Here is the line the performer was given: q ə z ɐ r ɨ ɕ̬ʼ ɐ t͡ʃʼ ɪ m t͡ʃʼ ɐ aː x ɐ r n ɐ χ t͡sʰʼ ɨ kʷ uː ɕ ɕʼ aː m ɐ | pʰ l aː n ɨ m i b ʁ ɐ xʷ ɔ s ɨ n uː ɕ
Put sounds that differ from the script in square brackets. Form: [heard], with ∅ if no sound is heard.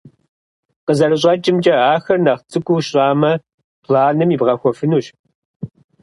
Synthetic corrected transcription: q ə z ɐ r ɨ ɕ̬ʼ ɐ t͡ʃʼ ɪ m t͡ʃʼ ɐ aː x ɐ r n ɐ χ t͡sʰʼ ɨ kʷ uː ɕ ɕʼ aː m ɐ | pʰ l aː n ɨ m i b ʁ ɐ xʷ ɔ [f] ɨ n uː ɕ